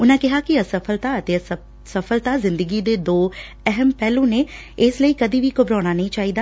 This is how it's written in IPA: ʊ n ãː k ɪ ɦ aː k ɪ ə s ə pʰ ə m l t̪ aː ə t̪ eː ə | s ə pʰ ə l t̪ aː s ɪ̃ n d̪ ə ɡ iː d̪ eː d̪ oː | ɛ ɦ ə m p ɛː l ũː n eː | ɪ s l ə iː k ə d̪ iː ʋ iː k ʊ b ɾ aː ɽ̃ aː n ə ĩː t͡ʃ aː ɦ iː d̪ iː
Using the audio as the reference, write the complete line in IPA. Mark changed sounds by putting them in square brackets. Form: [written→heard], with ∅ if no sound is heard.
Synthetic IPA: ʊ n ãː k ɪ ɦ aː k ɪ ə s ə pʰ ə [m→∅] l t̪ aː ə t̪ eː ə | s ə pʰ ə l t̪ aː [s→z] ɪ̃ n d̪ ə ɡ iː d̪ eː d̪ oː | ɛ ɦ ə m p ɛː l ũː n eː | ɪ s l ə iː k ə d̪ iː ʋ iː k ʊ b ɾ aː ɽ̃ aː n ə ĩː t͡ʃ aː ɦ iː d̪ [iː→aː]